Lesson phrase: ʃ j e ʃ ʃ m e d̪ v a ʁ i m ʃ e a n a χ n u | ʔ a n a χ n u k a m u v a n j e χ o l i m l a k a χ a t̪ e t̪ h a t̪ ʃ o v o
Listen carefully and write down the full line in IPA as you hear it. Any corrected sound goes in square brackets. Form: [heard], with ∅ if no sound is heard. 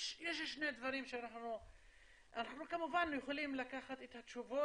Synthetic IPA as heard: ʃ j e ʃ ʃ [n] e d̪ v a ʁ i m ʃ e a n a χ n u | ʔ a n a χ n u k a m u v a n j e χ o l i m l a k a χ a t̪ e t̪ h a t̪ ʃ [u] v o